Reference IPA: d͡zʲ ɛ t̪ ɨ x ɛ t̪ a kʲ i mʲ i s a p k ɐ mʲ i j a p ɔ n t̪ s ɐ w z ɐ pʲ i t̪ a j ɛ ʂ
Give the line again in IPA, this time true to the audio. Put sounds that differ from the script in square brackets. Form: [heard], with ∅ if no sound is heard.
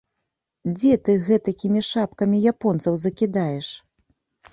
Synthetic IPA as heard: d͡zʲ ɛ t̪ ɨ [ɣ] ɛ t̪ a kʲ i mʲ i [ʂ] a p k ɐ mʲ i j a p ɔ n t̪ s ɐ w z ɐ [kʲ] i [d̪] a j ɛ ʂ